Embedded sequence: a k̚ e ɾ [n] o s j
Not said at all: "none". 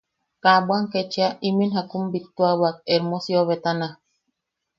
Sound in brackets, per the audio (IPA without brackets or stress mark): m